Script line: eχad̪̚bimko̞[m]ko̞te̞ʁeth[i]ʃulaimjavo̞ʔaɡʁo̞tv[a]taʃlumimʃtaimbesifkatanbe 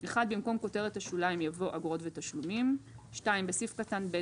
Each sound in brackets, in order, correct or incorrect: correct, incorrect, incorrect

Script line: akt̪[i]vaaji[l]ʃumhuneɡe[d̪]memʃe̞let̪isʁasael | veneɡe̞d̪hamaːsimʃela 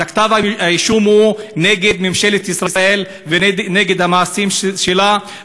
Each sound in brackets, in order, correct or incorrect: incorrect, incorrect, correct

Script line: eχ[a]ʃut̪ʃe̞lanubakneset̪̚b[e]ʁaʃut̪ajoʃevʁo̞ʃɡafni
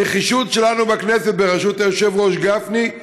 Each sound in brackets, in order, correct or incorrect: incorrect, correct

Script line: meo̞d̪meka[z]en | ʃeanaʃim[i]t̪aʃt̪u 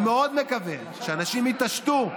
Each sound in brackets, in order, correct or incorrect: incorrect, correct

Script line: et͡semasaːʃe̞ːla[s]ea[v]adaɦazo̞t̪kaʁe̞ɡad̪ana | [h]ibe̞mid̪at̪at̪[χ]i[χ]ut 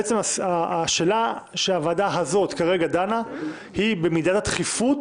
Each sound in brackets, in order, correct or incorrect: incorrect, correct, correct, correct, incorrect

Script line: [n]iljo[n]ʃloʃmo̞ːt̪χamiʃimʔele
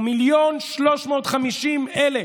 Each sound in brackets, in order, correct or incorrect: incorrect, correct

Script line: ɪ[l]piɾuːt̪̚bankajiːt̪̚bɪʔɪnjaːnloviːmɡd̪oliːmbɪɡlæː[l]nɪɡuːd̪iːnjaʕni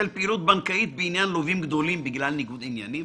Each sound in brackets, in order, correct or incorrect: correct, correct

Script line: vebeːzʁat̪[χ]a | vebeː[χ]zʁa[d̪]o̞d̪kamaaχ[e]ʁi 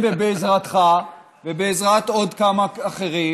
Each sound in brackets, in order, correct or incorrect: correct, incorrect, incorrect, correct

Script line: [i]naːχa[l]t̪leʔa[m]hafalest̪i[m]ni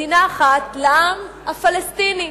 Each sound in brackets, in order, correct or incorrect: correct, incorrect, correct, incorrect

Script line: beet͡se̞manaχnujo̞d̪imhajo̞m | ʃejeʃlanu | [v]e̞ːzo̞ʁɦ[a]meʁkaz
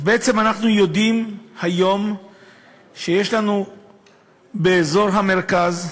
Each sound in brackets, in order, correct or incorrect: incorrect, correct

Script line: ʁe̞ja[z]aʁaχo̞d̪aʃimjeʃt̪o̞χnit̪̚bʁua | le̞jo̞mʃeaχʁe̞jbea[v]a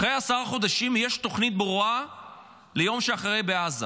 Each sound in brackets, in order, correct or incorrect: incorrect, incorrect

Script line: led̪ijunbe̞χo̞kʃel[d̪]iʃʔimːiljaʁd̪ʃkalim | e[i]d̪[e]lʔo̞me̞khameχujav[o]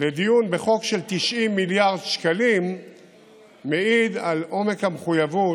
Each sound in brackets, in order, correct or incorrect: incorrect, correct, incorrect, incorrect

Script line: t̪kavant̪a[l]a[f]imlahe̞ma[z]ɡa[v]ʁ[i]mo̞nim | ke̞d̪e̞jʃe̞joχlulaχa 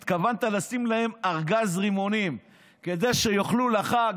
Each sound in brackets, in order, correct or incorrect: correct, incorrect, incorrect, incorrect, correct

